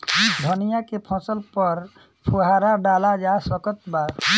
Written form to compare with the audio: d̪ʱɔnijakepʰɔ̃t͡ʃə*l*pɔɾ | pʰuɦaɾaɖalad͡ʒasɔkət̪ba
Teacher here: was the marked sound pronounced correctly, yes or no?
yes